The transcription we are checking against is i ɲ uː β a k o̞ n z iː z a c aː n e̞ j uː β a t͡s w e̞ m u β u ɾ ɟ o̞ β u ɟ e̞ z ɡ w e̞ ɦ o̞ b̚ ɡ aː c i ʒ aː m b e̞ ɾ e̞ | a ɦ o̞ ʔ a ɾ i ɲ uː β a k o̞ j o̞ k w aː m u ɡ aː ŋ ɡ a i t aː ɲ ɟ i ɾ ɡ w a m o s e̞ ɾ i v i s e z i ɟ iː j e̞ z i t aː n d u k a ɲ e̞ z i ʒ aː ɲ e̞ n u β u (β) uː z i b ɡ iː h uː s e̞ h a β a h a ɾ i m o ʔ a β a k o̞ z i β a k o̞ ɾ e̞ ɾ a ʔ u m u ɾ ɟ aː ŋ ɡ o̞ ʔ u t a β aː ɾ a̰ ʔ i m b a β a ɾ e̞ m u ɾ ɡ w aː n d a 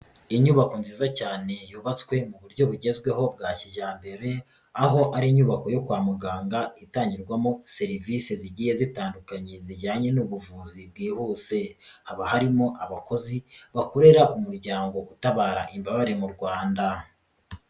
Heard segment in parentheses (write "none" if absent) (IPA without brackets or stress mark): v